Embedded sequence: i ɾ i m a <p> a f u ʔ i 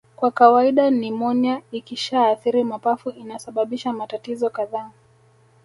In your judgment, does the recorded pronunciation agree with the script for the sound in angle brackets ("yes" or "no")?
yes